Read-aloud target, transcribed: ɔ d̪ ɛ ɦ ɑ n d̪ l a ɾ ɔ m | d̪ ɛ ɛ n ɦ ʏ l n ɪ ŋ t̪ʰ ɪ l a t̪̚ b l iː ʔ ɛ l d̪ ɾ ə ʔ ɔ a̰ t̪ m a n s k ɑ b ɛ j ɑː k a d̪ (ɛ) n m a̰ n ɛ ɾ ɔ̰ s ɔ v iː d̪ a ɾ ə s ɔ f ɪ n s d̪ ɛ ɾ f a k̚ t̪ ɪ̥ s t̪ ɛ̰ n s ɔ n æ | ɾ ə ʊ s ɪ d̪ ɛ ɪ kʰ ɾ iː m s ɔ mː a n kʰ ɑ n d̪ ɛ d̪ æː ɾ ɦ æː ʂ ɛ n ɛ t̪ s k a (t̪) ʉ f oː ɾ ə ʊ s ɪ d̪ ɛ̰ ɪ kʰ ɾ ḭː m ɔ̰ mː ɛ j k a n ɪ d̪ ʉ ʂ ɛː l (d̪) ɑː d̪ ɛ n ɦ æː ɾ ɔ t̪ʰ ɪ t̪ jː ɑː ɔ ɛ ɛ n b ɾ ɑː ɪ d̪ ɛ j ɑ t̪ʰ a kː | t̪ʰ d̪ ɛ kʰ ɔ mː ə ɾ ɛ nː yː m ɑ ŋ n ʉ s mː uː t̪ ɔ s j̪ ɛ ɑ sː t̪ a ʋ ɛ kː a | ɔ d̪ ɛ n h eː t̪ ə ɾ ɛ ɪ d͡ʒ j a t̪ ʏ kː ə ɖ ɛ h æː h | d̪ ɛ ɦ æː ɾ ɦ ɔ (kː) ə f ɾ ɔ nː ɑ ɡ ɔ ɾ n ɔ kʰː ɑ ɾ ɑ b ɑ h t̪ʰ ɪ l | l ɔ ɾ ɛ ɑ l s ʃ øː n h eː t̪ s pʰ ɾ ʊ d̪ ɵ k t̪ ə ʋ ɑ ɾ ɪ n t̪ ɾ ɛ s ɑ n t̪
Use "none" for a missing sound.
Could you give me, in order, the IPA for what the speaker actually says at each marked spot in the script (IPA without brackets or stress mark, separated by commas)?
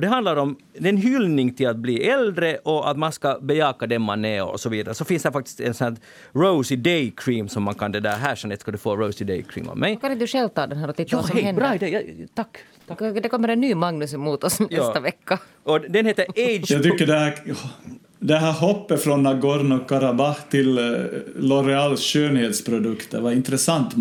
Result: ɛ, d̪, t̪, pː